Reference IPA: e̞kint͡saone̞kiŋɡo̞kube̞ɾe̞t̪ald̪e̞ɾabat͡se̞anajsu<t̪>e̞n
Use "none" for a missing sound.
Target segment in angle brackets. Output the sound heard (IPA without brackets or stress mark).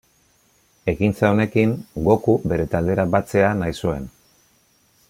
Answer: none